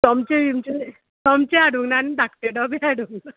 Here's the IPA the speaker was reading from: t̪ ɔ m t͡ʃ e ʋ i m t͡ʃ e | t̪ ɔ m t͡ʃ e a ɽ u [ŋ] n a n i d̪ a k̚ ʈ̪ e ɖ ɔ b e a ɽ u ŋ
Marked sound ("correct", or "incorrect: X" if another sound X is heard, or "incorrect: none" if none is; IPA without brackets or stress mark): correct